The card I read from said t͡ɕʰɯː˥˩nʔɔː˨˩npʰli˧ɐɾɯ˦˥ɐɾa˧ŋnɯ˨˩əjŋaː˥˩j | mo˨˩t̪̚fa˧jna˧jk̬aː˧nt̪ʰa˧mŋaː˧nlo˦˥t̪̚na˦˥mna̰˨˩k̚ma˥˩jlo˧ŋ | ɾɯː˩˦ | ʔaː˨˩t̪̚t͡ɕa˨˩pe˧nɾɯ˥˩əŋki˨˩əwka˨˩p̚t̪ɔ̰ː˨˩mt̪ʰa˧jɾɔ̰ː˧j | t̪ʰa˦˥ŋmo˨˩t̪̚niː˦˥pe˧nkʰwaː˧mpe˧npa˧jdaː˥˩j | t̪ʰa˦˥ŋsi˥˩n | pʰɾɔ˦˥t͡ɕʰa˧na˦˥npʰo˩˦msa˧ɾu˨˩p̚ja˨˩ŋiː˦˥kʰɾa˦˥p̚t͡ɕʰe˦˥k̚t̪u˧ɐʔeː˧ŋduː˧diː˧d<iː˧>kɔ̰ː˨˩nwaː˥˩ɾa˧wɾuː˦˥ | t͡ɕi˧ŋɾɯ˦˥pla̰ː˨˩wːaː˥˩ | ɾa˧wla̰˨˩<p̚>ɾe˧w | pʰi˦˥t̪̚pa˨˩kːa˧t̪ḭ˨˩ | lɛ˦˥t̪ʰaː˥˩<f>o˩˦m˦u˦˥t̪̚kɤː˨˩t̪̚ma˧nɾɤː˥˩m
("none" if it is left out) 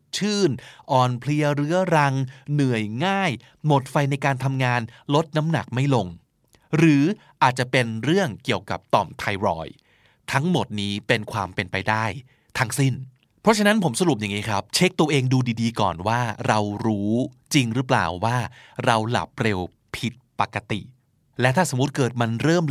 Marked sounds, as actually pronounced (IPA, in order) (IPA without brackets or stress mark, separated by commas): iː˧, p̚, s